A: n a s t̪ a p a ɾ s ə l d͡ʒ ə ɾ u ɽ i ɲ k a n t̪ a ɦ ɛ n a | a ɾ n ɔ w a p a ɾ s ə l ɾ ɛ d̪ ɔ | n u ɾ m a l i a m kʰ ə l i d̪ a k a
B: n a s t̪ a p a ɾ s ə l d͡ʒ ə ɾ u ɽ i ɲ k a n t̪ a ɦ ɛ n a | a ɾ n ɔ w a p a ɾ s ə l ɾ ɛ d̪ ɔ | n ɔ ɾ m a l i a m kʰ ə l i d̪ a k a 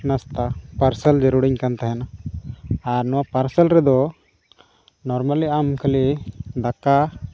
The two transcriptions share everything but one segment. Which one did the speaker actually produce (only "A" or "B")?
B